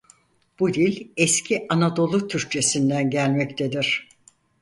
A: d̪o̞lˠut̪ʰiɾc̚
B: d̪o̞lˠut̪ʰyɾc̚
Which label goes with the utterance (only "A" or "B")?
B